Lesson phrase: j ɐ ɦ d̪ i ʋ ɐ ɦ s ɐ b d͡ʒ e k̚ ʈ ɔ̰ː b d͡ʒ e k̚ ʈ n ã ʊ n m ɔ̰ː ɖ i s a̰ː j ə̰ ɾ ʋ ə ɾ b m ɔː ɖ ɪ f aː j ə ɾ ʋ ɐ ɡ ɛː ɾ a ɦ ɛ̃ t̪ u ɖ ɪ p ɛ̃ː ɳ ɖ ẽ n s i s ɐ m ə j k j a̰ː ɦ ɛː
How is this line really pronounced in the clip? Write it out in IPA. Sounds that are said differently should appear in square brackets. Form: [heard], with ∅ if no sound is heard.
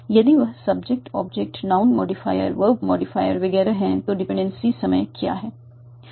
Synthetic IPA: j ɐ [∅] d̪ i ʋ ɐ ɦ s ɐ b d͡ʒ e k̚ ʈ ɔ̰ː b d͡ʒ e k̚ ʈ n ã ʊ n m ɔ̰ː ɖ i [f] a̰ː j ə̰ ɾ ʋ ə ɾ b m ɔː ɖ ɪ f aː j ə ɾ ʋ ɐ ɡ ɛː ɾ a ɦ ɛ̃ t̪ [o] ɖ ɪ p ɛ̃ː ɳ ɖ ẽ n s i s ɐ m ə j k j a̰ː ɦ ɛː